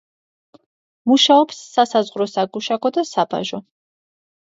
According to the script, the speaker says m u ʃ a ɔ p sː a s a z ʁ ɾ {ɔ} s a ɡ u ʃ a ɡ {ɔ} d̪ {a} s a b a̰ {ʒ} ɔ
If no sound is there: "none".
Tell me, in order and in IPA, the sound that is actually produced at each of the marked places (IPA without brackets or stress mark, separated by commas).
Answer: ɔ, ɔ, a, ʒ